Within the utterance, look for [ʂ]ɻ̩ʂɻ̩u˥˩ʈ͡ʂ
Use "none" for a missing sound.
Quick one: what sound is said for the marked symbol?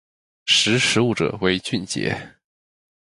ʂ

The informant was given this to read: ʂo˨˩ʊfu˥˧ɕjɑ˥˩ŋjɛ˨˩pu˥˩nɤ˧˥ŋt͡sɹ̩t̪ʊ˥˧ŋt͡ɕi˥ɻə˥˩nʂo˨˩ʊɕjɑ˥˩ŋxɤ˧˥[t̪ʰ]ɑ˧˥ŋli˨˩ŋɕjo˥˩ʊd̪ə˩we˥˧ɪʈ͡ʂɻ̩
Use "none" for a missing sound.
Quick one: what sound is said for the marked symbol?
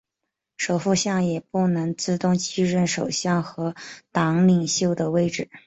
t̪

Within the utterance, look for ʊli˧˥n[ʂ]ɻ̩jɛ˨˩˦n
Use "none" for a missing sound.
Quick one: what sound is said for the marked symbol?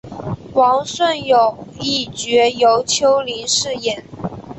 ʂ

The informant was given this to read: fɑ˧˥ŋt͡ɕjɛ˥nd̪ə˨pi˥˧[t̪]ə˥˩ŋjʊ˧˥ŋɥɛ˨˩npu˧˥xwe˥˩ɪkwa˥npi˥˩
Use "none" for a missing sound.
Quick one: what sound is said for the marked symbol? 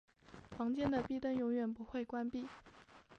t̪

